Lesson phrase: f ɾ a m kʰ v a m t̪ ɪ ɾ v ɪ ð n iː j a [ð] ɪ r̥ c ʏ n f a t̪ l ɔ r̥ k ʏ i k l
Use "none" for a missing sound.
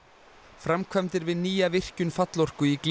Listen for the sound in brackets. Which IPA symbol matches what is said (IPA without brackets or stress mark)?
v